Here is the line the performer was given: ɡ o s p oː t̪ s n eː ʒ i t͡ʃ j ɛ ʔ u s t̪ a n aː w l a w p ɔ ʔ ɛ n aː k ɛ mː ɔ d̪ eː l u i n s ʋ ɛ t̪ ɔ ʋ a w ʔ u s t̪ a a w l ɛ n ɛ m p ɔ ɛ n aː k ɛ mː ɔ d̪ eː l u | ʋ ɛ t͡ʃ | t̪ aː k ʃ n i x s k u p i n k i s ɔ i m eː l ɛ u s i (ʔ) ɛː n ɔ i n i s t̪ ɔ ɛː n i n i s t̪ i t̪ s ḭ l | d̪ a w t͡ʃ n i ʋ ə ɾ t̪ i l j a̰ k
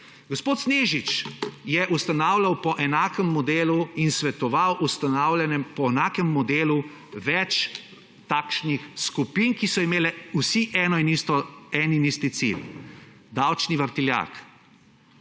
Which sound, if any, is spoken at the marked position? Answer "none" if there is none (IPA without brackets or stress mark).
ʔ